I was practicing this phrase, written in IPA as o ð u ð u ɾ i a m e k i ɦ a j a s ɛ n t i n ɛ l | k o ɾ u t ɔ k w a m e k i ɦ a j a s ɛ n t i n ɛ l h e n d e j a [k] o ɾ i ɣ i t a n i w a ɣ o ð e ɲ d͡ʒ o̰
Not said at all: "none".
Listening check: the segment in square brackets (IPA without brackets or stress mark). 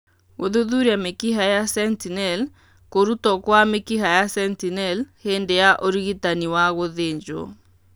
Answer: ʔ